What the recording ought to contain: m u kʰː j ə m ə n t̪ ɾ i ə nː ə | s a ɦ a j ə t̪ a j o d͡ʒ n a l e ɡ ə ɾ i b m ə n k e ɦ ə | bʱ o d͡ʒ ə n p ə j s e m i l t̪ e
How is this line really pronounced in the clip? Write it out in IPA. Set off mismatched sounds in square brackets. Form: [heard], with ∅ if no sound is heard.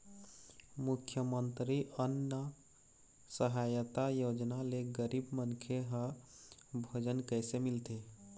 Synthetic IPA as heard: m u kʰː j ə m ə n t̪ ɾ i ə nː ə | s [ə] ɦ a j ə t̪ a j o d͡ʒ n a l e ɡ ə ɾ i b m ə n [kʰ] e ɦ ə | bʱ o d͡ʒ ə n [k] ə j s e m i l t̪ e